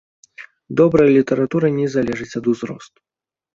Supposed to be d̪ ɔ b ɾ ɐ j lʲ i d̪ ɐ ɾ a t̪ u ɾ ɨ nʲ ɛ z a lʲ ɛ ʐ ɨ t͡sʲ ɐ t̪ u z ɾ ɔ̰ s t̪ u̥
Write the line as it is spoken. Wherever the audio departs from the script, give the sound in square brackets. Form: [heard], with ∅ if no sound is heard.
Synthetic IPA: d̪ ɔ b ɾ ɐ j lʲ i [t̪] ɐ ɾ a t̪ u ɾ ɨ nʲ ɛ z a lʲ ɛ ʐ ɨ t͡sʲ ɐ [d̪] u z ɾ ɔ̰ s t̪ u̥